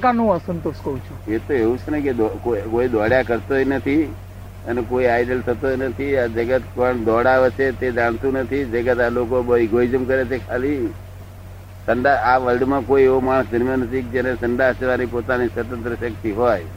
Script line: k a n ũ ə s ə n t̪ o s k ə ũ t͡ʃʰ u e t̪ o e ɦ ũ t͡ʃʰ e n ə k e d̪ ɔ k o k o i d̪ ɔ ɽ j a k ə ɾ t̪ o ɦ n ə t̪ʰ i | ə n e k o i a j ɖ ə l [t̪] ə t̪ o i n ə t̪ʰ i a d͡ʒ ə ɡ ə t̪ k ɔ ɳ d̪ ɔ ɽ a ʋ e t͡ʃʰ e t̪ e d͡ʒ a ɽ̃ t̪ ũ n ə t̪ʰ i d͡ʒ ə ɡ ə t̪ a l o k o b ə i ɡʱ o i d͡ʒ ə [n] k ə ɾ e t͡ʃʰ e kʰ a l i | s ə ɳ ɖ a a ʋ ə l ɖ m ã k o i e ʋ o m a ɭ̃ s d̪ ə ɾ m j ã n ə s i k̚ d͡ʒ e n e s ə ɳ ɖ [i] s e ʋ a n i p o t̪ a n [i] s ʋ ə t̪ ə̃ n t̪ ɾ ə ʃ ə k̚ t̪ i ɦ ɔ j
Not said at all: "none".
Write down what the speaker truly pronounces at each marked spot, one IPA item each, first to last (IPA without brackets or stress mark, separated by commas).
t̪ʰ, m, a, i